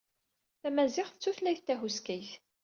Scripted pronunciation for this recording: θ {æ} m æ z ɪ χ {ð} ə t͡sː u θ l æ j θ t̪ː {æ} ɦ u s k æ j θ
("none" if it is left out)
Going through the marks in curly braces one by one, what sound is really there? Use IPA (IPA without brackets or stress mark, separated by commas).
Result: æ, θ, æ